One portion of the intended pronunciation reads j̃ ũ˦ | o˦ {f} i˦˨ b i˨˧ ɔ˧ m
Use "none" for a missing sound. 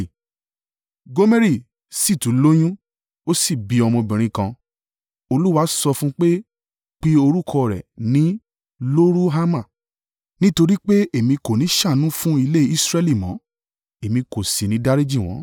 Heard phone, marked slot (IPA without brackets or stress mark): s